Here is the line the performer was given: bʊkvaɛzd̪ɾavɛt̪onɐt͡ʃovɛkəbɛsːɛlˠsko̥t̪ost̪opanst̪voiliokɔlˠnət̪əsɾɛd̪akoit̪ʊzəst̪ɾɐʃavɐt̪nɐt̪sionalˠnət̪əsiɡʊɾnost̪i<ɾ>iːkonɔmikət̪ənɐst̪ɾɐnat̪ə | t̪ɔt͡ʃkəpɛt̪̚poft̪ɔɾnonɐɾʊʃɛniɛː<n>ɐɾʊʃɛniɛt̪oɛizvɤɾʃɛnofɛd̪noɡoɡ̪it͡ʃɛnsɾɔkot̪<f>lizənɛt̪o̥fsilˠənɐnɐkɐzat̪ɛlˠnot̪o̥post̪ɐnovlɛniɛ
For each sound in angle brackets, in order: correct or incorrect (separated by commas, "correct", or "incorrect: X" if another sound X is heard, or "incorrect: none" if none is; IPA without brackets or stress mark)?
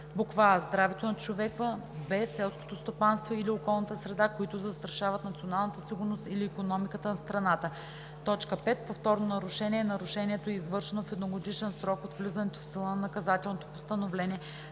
incorrect: l, correct, incorrect: v